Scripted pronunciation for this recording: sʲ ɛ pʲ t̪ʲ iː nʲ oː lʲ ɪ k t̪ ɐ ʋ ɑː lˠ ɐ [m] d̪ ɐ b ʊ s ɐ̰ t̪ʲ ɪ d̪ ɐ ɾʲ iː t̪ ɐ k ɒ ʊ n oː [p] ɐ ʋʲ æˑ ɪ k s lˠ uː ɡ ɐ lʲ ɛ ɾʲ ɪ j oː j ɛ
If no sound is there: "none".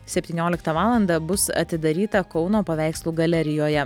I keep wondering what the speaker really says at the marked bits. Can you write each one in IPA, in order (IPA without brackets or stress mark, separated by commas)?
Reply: n, p